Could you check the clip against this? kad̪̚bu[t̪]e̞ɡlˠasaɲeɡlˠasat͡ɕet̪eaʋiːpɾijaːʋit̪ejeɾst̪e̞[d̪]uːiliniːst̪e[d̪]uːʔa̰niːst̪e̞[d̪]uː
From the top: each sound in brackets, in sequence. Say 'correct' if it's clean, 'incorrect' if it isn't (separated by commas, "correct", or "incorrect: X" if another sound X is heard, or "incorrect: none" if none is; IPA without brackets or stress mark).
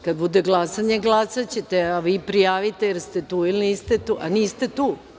incorrect: d̪, incorrect: t̪, incorrect: t̪, incorrect: t̪